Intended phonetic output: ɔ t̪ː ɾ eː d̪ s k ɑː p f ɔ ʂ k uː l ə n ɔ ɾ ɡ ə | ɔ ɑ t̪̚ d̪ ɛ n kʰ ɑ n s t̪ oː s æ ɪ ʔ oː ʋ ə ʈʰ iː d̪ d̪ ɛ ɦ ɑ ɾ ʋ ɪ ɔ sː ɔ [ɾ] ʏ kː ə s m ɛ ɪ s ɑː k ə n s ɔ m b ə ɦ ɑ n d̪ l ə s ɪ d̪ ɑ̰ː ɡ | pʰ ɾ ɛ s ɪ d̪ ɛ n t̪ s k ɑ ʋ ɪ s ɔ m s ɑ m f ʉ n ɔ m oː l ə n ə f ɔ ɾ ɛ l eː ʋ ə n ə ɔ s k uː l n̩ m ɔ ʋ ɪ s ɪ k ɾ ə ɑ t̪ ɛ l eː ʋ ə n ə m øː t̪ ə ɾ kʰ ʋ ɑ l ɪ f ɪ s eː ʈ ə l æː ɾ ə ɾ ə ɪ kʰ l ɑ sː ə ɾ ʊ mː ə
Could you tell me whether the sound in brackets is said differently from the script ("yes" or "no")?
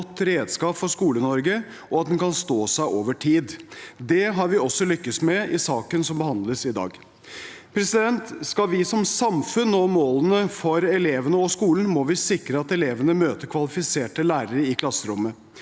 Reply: yes